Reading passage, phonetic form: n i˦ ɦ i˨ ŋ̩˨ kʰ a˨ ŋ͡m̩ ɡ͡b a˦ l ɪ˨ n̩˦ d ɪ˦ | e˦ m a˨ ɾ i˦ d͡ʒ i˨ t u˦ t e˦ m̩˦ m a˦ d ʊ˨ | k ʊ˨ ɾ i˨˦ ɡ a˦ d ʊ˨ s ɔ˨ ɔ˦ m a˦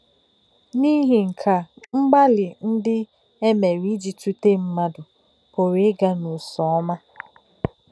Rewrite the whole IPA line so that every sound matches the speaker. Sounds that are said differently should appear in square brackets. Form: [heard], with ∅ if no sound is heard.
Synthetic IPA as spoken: n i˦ ɦ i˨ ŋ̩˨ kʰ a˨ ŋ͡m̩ ɡ͡b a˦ l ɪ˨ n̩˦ d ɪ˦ | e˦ m [e˨] ɾ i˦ d͡ʒ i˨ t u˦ t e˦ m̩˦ m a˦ d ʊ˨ | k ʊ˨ ɾ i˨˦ ɡ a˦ [n] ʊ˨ s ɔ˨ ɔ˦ m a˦